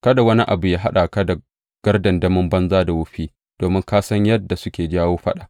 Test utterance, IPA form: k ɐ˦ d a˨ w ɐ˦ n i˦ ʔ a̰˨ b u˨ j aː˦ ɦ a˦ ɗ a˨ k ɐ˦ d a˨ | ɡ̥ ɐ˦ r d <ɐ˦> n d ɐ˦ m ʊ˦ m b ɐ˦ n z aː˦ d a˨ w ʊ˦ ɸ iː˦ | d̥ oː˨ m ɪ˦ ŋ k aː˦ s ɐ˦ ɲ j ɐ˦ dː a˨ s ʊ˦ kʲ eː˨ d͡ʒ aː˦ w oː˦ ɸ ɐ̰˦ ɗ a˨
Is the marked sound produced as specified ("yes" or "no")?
no